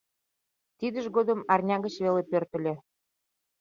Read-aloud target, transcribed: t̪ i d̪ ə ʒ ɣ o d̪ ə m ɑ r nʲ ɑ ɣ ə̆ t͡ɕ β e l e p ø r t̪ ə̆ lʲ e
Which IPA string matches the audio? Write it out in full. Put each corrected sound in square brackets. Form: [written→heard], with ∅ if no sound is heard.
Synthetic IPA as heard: t̪ i d̪ ə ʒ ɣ o d̪ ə m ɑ r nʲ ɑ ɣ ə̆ t͡ɕ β e l e p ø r t̪ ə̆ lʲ e

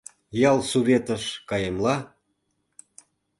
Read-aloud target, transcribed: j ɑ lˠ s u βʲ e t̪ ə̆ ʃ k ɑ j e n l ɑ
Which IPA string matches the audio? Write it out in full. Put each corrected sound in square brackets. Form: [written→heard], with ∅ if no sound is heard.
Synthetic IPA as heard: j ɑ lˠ s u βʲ e t̪ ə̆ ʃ k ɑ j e [n→m] l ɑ

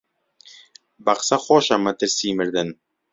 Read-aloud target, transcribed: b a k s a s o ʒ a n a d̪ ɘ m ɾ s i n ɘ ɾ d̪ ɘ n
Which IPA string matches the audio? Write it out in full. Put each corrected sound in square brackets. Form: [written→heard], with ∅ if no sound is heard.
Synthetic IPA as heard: b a [k→q] s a [s→χ] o [ʒ→ʃ] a [n→m] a [d̪→t̪] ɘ [m→∅] ɾ s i [n→m] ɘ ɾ d̪ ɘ n

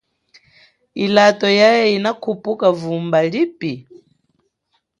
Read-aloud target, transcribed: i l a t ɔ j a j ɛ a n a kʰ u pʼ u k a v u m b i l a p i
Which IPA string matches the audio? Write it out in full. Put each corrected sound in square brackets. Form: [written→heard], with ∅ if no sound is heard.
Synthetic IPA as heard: i l a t ɔ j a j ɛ [a→i] n a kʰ u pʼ u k a v u m b [i→a] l [a→i] p i

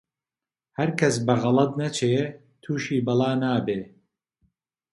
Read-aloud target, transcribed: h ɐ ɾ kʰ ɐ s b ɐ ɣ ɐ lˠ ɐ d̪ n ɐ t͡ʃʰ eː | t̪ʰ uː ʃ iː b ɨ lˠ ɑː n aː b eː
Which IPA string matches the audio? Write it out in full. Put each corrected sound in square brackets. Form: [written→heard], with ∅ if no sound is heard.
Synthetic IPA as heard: h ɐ ɾ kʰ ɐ s b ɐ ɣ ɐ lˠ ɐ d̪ n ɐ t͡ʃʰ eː | t̪ʰ uː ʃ iː b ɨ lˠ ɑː n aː b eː

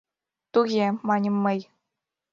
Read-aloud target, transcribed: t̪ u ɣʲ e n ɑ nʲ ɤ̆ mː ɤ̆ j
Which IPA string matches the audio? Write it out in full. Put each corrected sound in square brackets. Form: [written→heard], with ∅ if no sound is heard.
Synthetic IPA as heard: t̪ u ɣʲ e [n→m] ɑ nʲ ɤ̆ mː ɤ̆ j

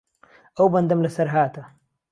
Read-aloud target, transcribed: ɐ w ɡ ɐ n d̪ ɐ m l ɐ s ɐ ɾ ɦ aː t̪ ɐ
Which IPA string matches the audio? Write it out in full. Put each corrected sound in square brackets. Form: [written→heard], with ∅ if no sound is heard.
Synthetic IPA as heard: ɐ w [ɡ→b] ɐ n d̪ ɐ m l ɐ s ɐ ɾ ɦ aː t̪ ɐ

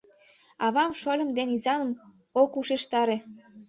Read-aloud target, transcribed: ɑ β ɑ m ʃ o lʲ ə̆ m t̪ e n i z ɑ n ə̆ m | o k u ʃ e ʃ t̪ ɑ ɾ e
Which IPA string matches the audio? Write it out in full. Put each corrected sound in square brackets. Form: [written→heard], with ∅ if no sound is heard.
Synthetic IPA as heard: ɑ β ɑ m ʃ o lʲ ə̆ m [t̪→d̪] e n i z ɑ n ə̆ m | o k u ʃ e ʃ t̪ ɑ ɾ e

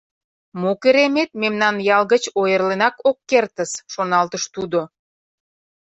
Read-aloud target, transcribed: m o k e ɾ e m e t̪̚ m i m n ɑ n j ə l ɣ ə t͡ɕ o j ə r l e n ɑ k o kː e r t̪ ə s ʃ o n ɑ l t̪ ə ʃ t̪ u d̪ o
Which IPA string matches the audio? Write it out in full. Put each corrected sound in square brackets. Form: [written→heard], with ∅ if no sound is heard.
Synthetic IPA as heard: m o k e ɾ e m e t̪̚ m [i→e] m n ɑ n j [ə→ɑ] l ɣ ə t͡ɕ o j ə r l e n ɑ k o kː e r t̪ ə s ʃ o n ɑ l t̪ ə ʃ t̪ u d̪ o

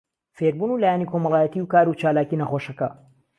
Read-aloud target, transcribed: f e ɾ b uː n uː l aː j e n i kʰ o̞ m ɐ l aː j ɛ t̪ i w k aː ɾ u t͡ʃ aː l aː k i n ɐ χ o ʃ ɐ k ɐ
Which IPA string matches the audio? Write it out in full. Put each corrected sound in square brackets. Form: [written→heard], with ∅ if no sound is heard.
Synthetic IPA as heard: f e ɾ b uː n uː l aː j [e→a] n i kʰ o̞ m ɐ l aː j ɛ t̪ i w k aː ɾ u t͡ʃ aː l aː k i n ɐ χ o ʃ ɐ k ɐ

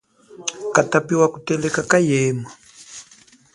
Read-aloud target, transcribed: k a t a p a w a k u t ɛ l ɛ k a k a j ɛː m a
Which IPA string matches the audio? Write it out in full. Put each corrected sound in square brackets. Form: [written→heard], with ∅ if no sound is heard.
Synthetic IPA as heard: k a t a p [a→i] w a k u t ɛ l ɛ k a k a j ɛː m a

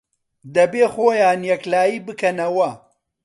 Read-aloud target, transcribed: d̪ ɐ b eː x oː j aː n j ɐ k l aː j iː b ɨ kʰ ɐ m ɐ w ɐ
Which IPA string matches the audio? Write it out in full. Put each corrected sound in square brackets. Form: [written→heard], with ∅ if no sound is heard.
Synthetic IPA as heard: d̪ ɐ b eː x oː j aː n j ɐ k l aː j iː b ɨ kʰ ɐ [m→n] ɐ w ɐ

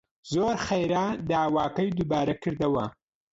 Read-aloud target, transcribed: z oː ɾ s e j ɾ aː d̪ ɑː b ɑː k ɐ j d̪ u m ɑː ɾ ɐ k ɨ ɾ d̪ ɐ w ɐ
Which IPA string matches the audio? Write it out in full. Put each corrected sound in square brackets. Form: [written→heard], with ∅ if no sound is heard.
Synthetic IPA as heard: z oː ɾ [s→x] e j ɾ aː d̪ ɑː [b→w] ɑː k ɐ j d̪ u [m→b] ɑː ɾ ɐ k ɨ ɾ d̪ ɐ w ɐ

